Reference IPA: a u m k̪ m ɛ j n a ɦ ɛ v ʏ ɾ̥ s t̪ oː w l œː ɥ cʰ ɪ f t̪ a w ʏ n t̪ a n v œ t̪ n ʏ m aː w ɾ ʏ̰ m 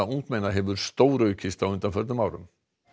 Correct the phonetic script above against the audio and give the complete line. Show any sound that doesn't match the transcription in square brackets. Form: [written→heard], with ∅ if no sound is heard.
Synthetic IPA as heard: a u [m→ŋ] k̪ m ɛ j n a ɦ ɛ v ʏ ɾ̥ s t̪ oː w [l→ɾ] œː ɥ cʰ ɪ [f→s] t̪ a w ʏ n t̪ a n [v→f] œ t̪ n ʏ m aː w ɾ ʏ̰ m